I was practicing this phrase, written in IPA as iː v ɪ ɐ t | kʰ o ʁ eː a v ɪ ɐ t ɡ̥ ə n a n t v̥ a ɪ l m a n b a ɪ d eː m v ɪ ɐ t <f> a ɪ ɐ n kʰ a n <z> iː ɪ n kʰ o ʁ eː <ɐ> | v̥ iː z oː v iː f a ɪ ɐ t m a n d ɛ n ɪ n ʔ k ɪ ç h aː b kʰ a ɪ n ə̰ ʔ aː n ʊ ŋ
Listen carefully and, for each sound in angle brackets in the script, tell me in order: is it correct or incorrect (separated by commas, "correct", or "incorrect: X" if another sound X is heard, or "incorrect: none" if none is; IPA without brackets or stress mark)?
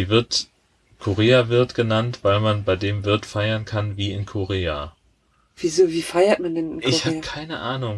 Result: correct, incorrect: v, incorrect: a